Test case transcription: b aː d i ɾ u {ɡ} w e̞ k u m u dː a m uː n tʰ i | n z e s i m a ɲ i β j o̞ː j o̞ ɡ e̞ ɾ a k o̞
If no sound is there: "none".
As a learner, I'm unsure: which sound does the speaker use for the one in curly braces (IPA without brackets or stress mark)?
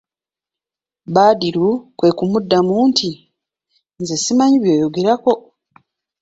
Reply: k